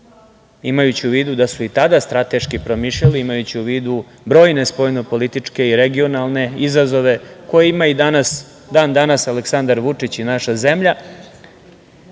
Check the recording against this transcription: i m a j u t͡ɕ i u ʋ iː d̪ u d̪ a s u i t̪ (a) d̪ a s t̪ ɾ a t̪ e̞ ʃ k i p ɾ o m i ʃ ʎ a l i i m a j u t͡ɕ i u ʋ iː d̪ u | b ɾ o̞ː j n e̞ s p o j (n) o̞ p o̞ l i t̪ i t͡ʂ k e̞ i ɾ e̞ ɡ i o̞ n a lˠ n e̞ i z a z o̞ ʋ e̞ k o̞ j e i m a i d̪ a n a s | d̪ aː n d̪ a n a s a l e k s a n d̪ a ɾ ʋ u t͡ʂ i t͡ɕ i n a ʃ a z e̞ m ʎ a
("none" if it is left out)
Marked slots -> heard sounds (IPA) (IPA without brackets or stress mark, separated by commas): a, n